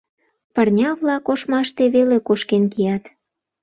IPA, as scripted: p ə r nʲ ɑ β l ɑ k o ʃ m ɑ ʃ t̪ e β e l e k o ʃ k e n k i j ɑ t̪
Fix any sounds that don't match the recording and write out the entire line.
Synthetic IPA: p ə r nʲ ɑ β l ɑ k o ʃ m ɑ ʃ t̪ e β e l e k o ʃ k e n k i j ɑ t̪